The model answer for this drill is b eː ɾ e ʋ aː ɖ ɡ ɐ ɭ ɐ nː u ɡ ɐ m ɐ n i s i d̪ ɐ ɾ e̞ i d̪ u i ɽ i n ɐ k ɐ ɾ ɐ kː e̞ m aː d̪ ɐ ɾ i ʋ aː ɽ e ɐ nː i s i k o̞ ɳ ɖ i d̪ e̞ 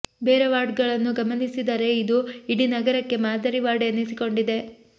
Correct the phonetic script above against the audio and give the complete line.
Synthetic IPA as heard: b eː ɾ e ʋ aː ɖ ɡ ɐ ɭ ɐ nː u ɡ ɐ m ɐ n i s i d̪ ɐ ɾ e̞ i d̪ u i ɽ i n ɐ ɡ ɐ ɾ ɐ kː e̞ m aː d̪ ɐ ɾ i ʋ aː ɽ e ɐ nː i s i k o̞ ɳ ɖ i d̪ e̞